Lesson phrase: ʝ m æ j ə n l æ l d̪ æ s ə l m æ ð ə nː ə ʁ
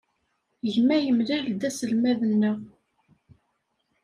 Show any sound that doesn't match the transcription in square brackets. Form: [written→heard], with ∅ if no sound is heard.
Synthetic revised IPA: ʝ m æ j ə [n→m] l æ l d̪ æ s ə l m æ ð ə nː ə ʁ